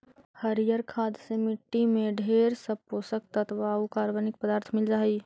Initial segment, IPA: h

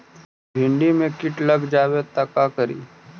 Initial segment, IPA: bʱ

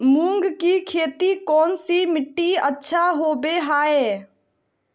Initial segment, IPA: m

